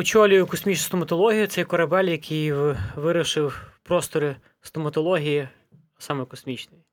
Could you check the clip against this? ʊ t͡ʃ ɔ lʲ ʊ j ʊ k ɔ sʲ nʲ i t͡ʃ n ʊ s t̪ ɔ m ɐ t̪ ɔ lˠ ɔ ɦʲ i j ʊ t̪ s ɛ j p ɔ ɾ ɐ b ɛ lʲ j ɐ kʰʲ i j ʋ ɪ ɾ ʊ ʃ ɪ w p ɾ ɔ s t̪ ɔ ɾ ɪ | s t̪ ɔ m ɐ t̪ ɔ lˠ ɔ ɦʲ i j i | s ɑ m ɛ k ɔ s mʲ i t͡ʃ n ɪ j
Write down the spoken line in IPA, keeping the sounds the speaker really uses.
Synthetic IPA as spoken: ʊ t͡ʃ ɔ lʲ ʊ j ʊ k ɔ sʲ mʲ i t͡ʃ n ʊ s t̪ ɔ m ɐ t̪ ɔ lˠ ɔ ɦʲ i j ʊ t̪ s ɛ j k ɔ ɾ ɐ b ɛ lʲ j ɐ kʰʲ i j ʋ ɪ ɾ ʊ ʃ ɪ w p ɾ ɔ s t̪ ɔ ɾ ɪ | s t̪ ɔ m ɐ t̪ ɔ lˠ ɔ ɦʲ i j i | s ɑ m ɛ k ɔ s mʲ i t͡ʃ n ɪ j